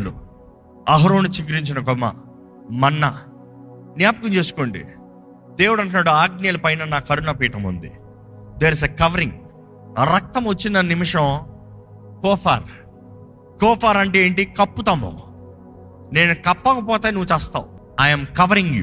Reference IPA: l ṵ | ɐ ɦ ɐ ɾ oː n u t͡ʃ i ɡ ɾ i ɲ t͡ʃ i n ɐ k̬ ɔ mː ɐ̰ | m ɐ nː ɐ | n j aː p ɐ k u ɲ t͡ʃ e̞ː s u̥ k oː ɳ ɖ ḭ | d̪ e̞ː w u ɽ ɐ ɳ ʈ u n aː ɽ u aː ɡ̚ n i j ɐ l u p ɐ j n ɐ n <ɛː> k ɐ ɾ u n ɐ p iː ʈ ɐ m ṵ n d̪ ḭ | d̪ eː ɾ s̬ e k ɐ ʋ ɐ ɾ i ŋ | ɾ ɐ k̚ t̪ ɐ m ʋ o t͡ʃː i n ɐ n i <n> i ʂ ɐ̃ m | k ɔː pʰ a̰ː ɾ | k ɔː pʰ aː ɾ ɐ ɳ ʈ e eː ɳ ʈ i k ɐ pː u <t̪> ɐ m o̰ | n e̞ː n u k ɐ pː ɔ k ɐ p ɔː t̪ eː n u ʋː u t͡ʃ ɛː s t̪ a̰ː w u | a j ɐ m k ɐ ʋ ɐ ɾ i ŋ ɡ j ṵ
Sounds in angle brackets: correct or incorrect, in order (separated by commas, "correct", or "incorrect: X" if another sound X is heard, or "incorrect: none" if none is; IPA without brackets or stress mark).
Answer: incorrect: aː, incorrect: m, correct